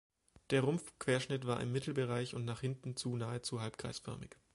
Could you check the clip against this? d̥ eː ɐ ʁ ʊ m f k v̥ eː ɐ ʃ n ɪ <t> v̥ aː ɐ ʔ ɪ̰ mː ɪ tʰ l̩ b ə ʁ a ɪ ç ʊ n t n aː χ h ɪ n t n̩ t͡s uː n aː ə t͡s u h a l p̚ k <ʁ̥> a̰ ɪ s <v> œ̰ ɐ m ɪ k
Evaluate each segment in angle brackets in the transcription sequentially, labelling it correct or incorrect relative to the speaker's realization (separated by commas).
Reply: correct, correct, incorrect